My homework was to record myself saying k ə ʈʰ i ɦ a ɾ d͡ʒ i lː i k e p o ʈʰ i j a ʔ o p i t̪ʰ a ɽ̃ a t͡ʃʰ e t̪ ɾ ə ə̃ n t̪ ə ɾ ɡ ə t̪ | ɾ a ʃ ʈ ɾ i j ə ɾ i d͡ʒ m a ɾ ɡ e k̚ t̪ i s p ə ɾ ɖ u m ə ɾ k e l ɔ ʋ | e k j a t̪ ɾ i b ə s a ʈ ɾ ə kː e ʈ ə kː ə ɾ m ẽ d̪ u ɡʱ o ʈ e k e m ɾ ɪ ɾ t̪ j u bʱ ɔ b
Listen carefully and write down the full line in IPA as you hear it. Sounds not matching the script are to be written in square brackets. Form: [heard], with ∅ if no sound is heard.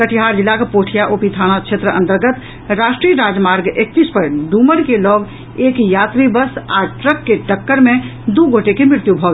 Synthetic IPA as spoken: k ə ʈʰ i ɦ a ɾ d͡ʒ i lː [a] k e p o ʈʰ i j a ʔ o p i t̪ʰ a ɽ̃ a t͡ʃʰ e t̪ ɾ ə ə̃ n t̪ ə ɾ ɡ ə t̪ | ɾ a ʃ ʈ ɾ i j ə ɾ [a] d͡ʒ m a ɾ ɡ e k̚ t̪ i s p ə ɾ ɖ u m ə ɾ k e l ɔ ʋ | e k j a t̪ ɾ i b ə s a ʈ ɾ ə kː e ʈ ə kː ə ɾ m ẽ d̪ u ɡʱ o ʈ e k e m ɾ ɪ ɾ t̪ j u bʱ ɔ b